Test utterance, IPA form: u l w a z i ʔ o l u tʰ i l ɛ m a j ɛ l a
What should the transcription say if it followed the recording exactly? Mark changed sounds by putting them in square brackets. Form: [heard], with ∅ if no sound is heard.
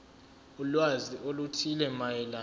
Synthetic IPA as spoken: u l w a z i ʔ o l u tʰ i l ɛ m a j ɛ l a